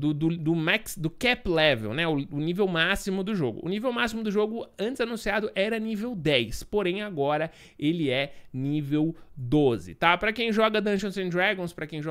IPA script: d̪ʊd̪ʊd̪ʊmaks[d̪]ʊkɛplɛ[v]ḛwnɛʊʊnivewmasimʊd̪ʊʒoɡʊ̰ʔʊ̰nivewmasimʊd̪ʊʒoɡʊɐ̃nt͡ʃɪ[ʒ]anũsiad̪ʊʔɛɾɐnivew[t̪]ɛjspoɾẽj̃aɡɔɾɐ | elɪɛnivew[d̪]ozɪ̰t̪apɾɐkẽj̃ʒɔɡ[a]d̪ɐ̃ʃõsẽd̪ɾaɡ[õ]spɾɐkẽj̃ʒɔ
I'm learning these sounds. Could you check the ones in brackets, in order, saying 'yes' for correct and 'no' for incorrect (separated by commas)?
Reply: yes, yes, no, no, yes, no, yes